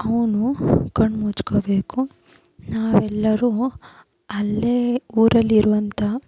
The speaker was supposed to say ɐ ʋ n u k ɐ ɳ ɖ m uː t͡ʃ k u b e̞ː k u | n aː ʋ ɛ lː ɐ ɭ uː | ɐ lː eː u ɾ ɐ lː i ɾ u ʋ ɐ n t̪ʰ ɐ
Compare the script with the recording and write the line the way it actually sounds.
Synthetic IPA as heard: ɐ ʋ n u k ɐ ɳ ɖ m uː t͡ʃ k o b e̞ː k u | n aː ʋ ɛ lː ɐ ɾ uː | ɐ lː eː uː ɾ ɐ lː i ɾ u ʋ ɐ n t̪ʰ ɐ